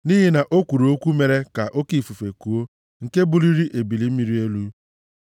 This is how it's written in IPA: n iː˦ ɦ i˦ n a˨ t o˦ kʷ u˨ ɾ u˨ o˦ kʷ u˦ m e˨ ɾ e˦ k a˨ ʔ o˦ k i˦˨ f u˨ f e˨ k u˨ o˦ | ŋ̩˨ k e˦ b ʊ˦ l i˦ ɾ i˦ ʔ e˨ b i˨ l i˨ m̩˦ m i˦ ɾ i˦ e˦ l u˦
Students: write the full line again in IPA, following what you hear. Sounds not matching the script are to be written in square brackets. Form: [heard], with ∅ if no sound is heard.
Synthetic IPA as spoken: n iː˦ ɦ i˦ n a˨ [ʔ] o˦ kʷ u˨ ɾ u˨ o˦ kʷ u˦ m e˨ ɾ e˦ k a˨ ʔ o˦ k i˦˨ f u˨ f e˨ k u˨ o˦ | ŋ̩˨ k e˦ b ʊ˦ l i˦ ɾ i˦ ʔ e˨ b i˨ l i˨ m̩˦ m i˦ ɾ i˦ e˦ l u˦